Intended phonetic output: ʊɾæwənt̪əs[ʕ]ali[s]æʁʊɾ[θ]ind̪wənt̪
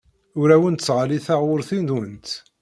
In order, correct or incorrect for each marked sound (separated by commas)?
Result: incorrect, incorrect, correct